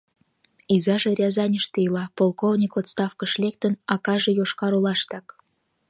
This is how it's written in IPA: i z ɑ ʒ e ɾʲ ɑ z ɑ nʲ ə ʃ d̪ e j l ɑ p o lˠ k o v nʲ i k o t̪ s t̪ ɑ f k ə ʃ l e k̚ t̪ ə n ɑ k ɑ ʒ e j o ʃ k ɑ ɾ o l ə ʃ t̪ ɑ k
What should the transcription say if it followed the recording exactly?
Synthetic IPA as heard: i z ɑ ʒ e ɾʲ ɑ z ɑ nʲ ə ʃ t̪ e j l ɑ p o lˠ k o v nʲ i k o t̪ s t̪ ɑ f k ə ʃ l e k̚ t̪ ə n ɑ k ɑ ʒ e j o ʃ k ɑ ɾ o l ɑ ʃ t̪ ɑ k